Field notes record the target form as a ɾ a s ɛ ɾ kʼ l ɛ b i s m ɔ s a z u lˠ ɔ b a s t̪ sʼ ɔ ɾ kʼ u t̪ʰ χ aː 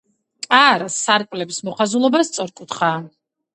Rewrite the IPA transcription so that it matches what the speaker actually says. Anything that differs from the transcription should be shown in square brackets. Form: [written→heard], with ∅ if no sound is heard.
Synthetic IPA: a ɾ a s [ɛ→a] ɾ kʼ l ɛ b i s m ɔ [s→χ] a z u lˠ ɔ b a s t̪ sʼ ɔ ɾ kʼ u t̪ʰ χ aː